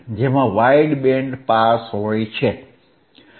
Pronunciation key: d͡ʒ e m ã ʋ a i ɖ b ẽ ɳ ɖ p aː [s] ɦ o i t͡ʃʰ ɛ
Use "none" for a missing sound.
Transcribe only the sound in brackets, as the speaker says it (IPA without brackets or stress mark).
s